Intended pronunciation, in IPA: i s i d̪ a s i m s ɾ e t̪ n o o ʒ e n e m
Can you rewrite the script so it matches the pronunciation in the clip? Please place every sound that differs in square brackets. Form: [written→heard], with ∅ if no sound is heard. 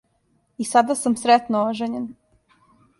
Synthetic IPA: i s [i→a] d̪ a s [i→a] m s ɾ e t̪ n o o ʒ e [n→ɲ] e [m→n]